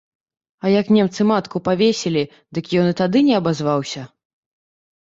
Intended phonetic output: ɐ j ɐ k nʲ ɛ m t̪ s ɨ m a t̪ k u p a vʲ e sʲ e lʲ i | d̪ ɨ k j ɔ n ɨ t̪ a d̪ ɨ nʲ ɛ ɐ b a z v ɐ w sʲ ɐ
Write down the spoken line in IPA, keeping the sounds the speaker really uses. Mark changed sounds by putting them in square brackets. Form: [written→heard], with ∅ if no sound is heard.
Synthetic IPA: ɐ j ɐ k nʲ ɛ m t̪ s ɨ m a t̪ k u p a vʲ e sʲ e lʲ i | d̪ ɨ k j ɔ n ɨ t̪ a d̪ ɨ nʲ ɛ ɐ b a z v [ɐ→a] w sʲ ɐ